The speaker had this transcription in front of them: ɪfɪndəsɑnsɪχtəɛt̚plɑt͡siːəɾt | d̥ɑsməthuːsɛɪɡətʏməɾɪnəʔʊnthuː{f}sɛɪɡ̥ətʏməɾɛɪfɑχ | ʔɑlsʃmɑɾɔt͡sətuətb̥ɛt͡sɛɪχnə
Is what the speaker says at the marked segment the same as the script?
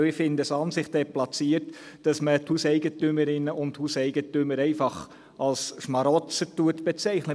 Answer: no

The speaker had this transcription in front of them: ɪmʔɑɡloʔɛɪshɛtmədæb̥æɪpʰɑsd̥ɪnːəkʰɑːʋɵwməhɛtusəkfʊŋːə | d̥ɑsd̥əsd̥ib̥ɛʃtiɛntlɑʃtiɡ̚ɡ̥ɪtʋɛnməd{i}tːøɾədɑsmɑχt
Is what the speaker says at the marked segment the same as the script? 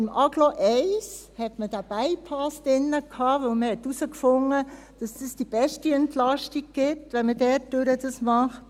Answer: no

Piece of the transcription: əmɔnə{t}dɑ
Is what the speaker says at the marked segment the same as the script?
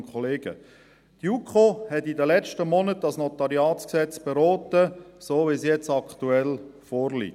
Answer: yes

